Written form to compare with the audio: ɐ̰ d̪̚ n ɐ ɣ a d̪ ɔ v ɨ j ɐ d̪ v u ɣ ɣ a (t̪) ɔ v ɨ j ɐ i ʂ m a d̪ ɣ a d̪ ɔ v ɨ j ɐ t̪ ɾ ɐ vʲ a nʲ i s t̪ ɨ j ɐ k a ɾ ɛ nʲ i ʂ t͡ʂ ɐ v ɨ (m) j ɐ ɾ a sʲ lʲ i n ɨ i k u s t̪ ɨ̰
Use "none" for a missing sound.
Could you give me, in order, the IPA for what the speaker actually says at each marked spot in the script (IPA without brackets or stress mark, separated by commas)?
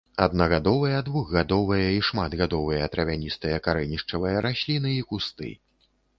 d̪, none